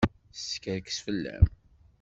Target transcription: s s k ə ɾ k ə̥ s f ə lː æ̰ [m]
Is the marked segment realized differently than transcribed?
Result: no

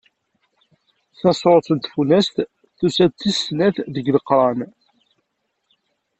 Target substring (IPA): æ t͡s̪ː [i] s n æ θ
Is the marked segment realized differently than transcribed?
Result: no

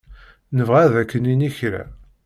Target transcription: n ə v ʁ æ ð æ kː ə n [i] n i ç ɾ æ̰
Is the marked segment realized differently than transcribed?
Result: no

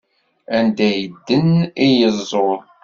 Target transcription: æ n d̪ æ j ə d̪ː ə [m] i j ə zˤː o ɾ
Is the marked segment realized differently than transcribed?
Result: yes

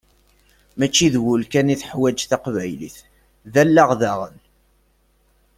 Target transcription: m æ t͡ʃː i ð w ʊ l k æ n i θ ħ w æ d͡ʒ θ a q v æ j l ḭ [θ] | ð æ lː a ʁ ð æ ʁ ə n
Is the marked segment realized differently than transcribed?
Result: no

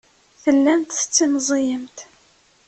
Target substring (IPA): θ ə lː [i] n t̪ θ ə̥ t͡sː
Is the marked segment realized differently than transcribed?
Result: yes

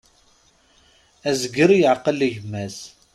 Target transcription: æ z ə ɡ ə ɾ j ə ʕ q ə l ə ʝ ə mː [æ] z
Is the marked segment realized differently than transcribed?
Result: no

